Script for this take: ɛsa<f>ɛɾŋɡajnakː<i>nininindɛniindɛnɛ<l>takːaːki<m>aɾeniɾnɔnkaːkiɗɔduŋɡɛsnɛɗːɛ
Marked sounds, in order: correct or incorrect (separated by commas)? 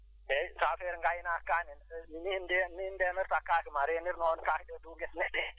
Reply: correct, incorrect, incorrect, correct